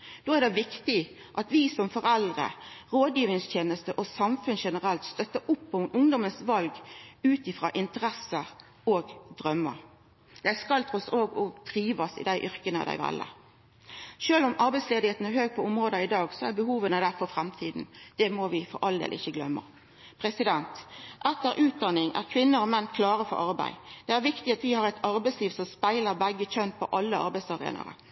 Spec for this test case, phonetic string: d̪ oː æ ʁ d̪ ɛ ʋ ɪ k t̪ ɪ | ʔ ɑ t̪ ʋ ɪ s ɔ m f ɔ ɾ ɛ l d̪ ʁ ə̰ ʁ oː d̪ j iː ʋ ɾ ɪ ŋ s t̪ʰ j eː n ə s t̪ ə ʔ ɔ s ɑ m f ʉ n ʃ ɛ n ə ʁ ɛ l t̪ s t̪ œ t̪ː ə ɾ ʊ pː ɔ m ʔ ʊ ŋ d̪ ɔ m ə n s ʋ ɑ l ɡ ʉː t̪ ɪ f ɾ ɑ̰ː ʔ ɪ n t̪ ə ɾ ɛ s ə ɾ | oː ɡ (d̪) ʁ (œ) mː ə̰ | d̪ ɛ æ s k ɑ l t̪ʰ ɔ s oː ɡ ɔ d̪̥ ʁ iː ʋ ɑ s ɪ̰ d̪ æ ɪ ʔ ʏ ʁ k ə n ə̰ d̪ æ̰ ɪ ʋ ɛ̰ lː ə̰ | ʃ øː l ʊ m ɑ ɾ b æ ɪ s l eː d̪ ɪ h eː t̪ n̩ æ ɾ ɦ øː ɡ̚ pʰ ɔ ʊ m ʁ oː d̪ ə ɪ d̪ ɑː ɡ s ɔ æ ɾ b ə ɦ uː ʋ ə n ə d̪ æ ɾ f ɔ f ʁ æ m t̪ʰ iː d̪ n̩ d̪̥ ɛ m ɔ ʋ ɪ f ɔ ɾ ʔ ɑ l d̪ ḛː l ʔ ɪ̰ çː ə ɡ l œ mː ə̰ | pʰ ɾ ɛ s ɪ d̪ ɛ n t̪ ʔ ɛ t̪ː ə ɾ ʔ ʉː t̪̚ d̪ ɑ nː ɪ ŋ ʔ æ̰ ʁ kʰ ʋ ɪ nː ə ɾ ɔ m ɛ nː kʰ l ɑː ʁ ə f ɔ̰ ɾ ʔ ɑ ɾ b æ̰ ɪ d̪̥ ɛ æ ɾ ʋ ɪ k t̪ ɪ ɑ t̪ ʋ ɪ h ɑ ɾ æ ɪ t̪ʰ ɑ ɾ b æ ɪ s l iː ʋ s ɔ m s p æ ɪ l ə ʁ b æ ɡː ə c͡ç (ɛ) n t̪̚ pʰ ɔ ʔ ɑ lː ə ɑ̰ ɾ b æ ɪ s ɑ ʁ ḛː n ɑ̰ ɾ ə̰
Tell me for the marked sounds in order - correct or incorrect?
correct, correct, incorrect: œ

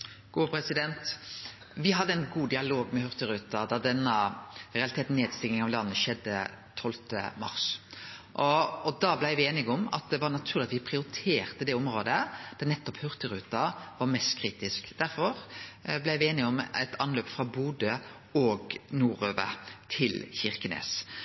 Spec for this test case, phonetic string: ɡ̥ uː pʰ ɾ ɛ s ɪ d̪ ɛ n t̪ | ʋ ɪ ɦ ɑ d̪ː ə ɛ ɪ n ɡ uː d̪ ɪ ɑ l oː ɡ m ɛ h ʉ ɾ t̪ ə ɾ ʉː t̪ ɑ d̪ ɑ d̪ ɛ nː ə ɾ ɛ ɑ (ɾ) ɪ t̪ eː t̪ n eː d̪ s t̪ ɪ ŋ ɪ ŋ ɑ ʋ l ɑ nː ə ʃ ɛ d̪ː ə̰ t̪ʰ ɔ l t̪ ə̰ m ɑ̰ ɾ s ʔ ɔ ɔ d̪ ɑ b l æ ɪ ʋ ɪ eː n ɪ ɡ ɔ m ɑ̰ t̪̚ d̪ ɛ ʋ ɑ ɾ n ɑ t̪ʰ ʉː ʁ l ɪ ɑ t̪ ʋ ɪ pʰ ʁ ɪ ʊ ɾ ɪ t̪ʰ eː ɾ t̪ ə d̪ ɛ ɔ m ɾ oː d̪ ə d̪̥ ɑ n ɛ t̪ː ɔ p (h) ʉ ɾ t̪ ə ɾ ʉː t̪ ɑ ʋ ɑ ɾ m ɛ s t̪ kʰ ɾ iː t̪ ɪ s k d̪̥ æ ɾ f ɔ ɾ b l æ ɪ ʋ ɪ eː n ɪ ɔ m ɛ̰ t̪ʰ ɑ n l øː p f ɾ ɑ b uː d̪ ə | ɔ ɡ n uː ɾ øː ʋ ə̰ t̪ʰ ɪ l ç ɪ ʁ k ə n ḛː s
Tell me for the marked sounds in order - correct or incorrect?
incorrect: l, correct

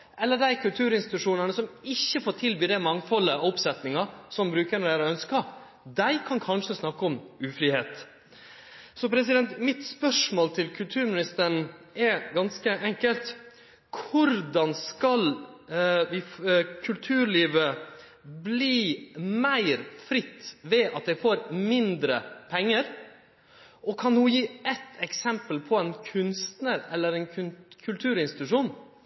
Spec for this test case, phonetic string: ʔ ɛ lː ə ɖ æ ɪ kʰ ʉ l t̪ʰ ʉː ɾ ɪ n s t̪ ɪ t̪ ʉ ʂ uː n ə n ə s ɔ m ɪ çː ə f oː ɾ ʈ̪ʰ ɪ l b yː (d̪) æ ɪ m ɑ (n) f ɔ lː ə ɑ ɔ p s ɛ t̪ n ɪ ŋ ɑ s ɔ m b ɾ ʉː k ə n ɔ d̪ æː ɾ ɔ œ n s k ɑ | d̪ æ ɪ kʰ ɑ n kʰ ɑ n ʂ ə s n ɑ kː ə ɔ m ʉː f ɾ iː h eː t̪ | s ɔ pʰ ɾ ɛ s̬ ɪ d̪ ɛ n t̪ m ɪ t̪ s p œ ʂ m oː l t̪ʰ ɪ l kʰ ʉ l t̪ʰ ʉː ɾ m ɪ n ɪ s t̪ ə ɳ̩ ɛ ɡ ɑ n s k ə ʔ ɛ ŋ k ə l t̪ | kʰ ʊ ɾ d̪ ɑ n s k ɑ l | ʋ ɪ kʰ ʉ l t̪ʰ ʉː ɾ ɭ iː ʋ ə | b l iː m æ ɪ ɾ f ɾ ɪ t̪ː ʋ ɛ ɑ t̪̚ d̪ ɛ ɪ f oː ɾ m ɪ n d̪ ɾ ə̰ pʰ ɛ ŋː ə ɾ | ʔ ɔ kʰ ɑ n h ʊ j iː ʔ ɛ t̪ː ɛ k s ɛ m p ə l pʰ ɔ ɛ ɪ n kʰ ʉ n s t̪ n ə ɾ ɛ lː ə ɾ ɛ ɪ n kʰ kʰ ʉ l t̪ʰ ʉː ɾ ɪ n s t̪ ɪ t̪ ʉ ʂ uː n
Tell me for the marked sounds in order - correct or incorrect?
correct, incorrect: ŋ

